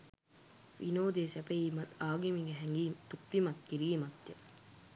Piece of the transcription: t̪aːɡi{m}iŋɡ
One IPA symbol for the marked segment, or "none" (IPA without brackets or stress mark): m